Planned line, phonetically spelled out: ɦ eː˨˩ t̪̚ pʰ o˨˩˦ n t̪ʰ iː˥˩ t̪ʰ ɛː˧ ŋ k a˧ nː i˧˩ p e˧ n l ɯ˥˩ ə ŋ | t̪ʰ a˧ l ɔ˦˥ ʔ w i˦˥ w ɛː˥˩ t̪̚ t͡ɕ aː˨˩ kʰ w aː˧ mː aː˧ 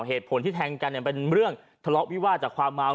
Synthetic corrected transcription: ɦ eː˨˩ t̪̚ pʰ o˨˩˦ n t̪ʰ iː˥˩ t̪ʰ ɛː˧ ŋ k a˧ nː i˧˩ p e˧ n ɾ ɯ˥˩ ə ŋ | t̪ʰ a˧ l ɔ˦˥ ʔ w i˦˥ w aː˥˩ t̪̚ t͡ɕ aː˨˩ kʰ w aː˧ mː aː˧